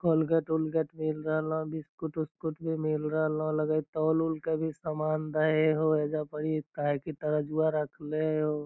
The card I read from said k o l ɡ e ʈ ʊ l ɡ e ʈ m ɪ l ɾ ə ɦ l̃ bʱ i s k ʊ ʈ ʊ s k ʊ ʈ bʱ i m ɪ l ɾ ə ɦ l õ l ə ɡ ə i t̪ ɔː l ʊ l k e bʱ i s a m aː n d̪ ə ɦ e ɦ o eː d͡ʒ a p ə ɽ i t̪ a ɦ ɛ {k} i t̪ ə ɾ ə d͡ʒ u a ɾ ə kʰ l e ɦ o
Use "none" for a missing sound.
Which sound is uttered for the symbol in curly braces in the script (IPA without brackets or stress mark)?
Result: k